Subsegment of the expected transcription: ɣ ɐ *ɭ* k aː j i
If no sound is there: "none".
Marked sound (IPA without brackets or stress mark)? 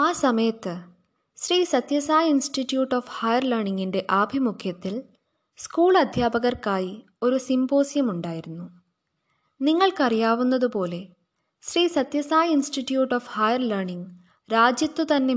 r